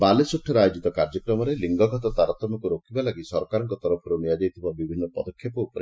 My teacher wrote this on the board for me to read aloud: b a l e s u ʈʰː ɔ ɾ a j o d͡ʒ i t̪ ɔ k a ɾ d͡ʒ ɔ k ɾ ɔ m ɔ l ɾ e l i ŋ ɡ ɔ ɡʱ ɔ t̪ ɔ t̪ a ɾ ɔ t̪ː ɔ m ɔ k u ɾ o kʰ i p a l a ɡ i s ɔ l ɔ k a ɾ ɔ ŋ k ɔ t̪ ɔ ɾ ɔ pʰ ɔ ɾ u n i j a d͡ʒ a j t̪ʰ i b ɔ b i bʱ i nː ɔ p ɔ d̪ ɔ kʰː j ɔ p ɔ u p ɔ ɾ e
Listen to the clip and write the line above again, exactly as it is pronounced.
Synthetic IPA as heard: b a l e s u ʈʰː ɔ ɾ a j o d͡ʒ i t̪ ɔ k a ɾ d͡ʒ ɔ k ɾ ɔ m ɔ ɾ e l i ŋ ɡ ɔ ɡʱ ɔ t̪ ɔ t̪ a ɾ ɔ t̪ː ɔ m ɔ k u ɾ o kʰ i b a l a ɡ i s ɔ ɾ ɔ k a ɾ ɔ ŋ k ɔ t̪ ɔ ɾ ɔ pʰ ɔ ɾ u n i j a d͡ʒ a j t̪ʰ i b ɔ b i bʱ i nː ɔ p ɔ d̪ ɔ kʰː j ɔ p ɔ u p ɔ ɾ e